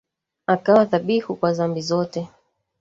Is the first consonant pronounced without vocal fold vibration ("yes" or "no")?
yes